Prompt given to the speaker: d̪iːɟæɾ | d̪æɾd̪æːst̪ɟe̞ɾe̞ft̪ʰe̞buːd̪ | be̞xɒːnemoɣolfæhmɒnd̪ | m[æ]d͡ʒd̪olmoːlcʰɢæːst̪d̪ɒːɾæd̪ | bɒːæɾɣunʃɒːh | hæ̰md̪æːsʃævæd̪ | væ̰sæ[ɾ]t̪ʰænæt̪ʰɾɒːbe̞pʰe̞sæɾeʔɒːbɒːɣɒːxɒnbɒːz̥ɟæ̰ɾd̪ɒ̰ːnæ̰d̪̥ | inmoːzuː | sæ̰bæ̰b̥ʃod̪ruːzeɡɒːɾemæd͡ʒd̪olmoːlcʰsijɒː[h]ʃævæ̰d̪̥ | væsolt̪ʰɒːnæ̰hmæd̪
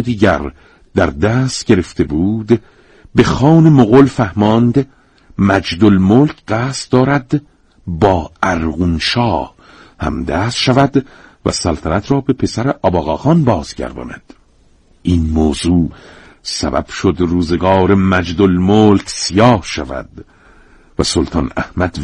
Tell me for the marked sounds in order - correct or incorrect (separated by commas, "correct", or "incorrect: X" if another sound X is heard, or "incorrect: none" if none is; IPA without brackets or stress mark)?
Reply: correct, incorrect: l, correct